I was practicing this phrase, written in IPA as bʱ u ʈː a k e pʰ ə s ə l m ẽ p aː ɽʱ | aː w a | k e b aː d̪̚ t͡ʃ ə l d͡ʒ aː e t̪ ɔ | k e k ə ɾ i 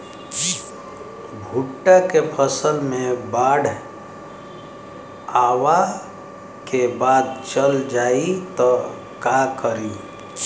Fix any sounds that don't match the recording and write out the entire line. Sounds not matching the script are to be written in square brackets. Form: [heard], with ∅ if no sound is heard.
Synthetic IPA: bʱ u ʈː a k e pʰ ə s ə l m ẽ [b] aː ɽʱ | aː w a | k e b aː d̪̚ t͡ʃ ə l d͡ʒ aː [i] t̪ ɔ | k [a] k ə ɾ i